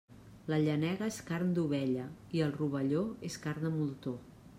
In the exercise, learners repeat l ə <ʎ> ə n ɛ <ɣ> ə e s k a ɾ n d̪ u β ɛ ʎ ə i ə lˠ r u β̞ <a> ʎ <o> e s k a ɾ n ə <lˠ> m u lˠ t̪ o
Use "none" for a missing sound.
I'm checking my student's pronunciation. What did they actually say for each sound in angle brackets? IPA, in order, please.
ʎ, ɣ, ə, o, none

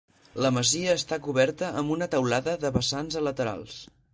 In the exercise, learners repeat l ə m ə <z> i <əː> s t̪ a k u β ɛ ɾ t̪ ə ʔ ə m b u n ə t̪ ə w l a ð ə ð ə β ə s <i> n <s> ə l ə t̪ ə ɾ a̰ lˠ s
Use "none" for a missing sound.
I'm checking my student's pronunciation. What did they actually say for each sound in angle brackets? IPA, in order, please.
z, əː, a, z

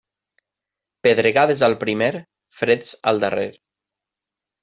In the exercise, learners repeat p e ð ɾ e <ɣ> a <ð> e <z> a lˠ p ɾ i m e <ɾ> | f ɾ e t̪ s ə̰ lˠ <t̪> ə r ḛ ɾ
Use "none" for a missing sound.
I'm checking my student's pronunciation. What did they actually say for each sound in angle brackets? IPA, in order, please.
ɣ, ð, z, ɾ, d̪

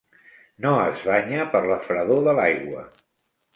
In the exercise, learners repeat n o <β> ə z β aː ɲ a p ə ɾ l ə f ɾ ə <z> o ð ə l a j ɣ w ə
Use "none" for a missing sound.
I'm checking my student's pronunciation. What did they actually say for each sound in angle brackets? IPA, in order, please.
none, ð

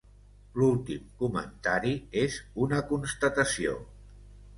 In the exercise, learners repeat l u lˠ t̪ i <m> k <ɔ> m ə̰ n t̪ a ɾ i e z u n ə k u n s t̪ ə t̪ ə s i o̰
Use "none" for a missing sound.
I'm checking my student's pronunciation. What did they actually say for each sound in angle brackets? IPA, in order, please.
m, u

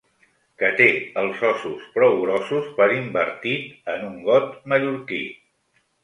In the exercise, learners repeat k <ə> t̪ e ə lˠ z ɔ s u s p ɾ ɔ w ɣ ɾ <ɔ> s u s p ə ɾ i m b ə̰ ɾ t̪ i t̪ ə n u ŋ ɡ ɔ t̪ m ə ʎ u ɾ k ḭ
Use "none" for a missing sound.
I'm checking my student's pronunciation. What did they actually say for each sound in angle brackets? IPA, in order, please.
ə, ɔ

